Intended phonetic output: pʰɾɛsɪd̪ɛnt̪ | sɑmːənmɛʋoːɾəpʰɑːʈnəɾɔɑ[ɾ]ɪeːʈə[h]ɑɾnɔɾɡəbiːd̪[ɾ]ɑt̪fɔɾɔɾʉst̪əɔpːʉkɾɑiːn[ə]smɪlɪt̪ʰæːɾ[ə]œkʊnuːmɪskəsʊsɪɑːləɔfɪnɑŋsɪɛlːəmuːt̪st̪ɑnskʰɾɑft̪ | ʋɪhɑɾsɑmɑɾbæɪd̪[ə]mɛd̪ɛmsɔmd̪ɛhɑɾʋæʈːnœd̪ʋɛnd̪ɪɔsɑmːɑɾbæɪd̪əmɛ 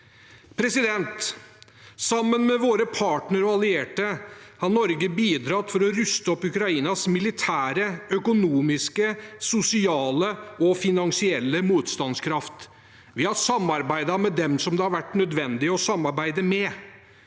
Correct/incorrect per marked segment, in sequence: incorrect, correct, correct, incorrect, correct, incorrect

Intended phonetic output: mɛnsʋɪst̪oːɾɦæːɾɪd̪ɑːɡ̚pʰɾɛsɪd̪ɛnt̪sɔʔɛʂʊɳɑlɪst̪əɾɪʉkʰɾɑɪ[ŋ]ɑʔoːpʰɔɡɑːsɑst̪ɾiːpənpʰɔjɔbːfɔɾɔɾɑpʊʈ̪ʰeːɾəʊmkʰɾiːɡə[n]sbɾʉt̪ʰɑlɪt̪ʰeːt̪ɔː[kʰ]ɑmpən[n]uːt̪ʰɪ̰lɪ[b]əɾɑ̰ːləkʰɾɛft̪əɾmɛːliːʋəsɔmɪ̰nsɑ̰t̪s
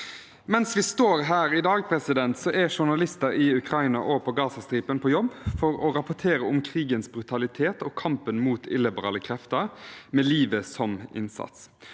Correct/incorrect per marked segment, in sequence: incorrect, correct, correct, incorrect, correct

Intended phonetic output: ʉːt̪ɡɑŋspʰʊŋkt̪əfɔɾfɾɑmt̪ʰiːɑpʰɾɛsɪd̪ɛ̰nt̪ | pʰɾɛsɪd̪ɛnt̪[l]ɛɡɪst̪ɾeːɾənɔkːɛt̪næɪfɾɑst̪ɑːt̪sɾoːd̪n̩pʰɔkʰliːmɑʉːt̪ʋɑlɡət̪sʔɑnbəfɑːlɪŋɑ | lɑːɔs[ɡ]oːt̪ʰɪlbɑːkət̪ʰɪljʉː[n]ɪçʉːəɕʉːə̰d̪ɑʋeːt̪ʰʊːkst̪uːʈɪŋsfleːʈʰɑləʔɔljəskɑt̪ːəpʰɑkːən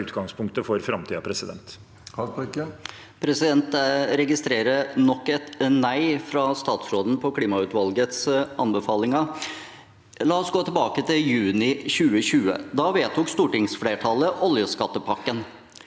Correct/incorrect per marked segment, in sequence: incorrect, correct, correct

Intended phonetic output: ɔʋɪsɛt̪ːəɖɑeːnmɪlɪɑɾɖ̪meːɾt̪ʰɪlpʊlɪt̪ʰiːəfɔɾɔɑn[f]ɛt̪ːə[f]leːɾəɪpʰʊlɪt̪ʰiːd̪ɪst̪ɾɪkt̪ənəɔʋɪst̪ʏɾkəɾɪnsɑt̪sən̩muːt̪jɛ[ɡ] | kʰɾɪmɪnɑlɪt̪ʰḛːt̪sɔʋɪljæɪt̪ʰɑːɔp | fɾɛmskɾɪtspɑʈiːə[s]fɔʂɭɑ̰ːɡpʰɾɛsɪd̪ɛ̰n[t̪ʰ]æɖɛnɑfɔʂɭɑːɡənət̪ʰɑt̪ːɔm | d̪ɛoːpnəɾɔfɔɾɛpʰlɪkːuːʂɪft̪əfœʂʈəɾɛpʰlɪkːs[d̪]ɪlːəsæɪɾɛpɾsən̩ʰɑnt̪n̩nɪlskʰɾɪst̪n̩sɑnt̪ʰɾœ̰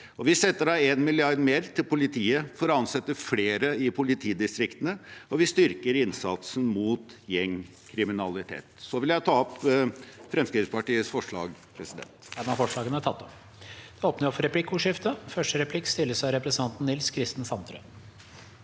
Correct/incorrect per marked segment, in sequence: incorrect, correct, incorrect, correct, incorrect, incorrect

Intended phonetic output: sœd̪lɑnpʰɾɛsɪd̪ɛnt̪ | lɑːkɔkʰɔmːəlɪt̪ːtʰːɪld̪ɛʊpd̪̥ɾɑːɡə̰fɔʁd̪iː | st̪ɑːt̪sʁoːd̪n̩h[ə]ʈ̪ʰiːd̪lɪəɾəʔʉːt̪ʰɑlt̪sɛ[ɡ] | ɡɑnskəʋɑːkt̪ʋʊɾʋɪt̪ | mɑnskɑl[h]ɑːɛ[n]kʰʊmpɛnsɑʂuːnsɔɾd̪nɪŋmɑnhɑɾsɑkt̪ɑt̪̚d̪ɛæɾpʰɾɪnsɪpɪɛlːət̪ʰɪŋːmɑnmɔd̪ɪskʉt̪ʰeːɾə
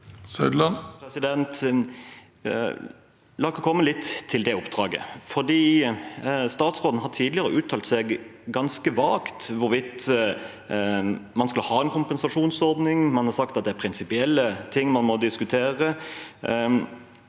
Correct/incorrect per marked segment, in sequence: incorrect, correct, correct, correct

